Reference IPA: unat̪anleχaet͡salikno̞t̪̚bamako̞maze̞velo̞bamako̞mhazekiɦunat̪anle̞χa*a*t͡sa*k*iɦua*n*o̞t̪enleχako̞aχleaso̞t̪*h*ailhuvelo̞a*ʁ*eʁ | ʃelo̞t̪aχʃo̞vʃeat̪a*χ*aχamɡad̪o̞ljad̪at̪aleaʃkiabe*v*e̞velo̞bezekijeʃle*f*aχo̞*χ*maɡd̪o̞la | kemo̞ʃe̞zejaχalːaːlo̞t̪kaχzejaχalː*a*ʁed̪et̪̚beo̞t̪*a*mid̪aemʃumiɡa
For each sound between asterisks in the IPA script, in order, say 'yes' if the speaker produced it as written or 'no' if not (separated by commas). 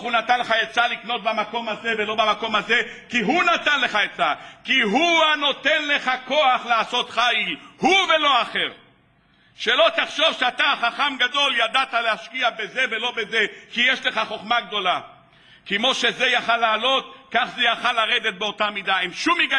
no, yes, yes, no, no, yes, no, no, yes, yes, yes